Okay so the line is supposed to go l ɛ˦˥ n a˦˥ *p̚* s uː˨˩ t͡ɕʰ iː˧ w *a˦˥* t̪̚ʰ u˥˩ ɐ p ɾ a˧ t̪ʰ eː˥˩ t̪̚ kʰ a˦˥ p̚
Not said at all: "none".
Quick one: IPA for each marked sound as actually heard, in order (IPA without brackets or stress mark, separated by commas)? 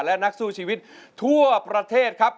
k̚, i˦˥